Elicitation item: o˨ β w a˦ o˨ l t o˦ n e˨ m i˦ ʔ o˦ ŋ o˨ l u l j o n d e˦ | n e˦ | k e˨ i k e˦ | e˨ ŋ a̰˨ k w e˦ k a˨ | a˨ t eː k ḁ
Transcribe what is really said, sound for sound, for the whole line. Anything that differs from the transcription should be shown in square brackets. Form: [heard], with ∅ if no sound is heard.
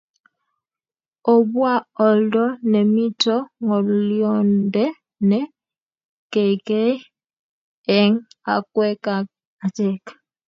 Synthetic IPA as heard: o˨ β w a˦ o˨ l [d] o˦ n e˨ m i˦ [t] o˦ ŋ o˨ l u l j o n d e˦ | n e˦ | k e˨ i k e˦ | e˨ ŋ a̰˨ k w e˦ k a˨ | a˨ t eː k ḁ